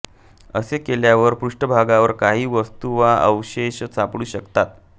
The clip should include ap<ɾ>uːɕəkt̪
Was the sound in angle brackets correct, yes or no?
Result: no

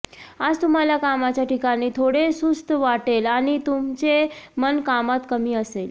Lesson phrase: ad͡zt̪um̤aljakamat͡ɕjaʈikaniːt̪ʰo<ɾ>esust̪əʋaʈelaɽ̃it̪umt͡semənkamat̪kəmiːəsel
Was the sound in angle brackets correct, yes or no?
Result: no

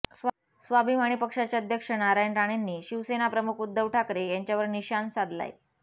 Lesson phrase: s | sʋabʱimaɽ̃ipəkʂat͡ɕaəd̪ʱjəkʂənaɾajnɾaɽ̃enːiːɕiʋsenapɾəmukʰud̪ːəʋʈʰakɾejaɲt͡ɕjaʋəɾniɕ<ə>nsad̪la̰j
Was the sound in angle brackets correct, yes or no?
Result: no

